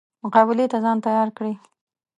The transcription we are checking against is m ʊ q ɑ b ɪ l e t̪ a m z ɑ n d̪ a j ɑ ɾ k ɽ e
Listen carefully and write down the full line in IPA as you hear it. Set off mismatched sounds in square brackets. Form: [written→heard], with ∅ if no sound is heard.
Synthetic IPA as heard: m ʊ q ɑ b ɪ l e t̪ a [m→∅] z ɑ n [d̪→t̪] a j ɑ ɾ k ɽ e